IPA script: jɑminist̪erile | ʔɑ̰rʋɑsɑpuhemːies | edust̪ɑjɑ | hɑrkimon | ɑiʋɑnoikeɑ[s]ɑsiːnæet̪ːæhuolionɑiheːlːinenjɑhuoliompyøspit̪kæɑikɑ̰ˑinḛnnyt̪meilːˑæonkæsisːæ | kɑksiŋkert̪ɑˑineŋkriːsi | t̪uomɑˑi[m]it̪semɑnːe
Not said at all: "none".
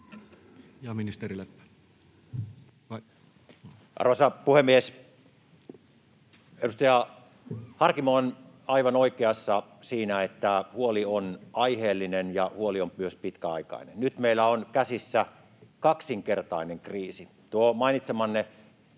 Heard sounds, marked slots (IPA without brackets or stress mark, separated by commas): sː, n